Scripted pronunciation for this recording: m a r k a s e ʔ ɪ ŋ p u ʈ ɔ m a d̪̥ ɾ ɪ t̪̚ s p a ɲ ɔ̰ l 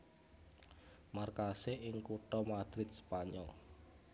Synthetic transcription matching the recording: m a r k a s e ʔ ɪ ŋ k u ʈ ɔ m a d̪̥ ɾ ɪ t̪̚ s p a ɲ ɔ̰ l